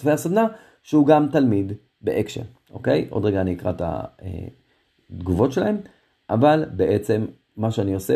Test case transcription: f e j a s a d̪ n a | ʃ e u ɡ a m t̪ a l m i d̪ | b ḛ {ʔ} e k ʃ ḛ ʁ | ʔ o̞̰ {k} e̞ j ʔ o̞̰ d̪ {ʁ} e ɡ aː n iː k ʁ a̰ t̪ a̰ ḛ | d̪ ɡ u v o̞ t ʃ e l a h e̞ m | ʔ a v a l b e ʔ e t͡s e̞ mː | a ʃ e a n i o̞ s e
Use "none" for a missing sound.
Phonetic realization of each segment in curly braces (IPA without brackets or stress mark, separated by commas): ʔ, k, ʁ